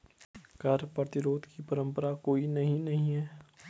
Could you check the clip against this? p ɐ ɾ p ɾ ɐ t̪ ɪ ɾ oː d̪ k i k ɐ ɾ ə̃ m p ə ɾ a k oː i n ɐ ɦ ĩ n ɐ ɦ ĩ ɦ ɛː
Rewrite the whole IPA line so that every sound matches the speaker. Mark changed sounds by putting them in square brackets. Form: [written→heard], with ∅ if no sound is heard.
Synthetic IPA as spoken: [p→k] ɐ ɾ p ɾ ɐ t̪ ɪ ɾ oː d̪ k i [k→p] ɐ ɾ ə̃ m p ə ɾ a k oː i n ɐ ɦ ĩ n ɐ ɦ ĩ ɦ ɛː